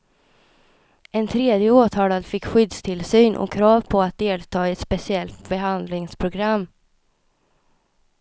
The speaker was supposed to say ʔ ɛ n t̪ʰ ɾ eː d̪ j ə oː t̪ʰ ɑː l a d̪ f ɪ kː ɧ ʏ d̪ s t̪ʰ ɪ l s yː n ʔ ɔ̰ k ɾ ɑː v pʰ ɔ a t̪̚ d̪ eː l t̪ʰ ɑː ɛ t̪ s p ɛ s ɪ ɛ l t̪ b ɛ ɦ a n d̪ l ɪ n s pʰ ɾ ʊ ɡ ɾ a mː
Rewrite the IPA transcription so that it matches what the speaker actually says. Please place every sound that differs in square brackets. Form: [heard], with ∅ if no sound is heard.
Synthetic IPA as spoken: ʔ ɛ n t̪ʰ ɾ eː d̪ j ə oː t̪ʰ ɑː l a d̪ f ɪ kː ɧ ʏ d̪ s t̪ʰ ɪ l s yː n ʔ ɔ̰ [kʰ] ɾ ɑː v pʰ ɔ a t̪̚ d̪ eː l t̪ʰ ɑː ɛ t̪ s p ɛ s ɪ ɛ l t̪ b ɛ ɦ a n d̪ l ɪ [ŋ] s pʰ ɾ ʊ ɡ ɾ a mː